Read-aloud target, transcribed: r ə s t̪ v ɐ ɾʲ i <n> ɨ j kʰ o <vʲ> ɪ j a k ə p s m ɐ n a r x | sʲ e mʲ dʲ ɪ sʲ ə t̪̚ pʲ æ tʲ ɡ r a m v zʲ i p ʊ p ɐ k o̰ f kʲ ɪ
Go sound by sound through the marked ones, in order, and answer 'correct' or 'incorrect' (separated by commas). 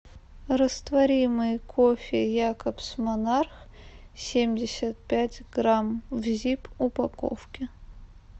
incorrect, incorrect